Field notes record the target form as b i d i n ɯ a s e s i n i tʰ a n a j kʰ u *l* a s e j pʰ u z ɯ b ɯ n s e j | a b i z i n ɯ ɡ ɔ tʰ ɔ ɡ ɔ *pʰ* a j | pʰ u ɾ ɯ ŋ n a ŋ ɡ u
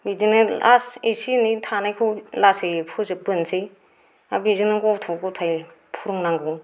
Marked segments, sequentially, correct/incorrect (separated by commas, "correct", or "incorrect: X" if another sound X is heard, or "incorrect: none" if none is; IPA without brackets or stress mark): correct, incorrect: tʰ